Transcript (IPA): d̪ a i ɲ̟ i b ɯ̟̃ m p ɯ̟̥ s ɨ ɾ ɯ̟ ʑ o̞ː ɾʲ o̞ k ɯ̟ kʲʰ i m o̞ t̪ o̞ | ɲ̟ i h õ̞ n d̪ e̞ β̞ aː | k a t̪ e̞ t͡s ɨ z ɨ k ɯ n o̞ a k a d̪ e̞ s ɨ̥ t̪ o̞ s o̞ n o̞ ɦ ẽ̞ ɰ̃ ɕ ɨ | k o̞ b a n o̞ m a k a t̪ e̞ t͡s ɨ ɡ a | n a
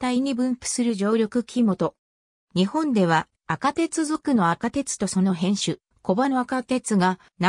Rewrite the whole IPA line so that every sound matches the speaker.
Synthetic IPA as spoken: t̪ a i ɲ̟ i b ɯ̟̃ m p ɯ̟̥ s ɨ ɾ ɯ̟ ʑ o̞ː ɾʲ o̞ k ɯ̟ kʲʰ i m o̞ t̪ o̞ | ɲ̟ i h õ̞ n d̪ e̞ β̞ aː | k a t̪ e̞ t͡s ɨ z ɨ k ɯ n o̞ a k a t̪ e̞ t͡s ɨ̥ t̪ o̞ s o̞ n o̞ ɦ ẽ̞ ɰ̃ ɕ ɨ | k o̞ b a n o̞ a k a t̪ e̞ t͡s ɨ ɡ a | n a